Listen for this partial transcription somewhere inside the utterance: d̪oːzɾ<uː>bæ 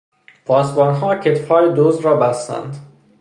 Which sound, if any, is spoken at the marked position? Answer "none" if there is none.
ɒː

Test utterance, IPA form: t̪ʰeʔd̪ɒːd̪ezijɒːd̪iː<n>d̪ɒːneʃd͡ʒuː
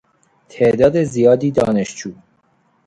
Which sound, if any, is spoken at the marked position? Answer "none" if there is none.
none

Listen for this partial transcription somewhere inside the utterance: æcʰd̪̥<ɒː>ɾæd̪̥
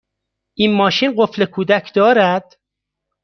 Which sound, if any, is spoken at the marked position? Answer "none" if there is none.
ɒː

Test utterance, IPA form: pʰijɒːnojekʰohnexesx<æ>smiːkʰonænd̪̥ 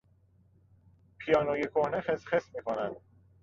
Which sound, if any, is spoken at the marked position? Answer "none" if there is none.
e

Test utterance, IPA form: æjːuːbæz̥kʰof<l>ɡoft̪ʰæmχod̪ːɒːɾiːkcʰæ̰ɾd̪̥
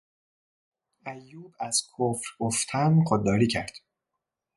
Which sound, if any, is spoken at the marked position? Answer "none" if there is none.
ɾ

